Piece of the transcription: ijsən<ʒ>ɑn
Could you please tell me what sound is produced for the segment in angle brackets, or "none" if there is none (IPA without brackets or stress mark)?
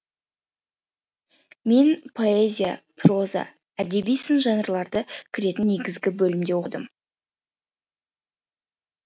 ʒ